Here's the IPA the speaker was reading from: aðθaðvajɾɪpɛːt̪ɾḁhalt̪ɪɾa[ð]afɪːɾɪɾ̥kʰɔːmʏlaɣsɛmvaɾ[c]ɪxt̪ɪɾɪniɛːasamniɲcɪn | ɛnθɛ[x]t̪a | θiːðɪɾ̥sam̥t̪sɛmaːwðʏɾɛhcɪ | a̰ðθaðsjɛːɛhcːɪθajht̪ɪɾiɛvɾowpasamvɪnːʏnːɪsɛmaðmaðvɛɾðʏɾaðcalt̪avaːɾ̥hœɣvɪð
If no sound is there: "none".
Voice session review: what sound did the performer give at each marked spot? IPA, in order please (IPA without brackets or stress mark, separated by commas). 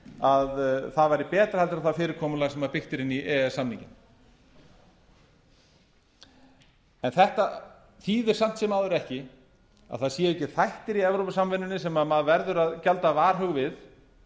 θ, p, h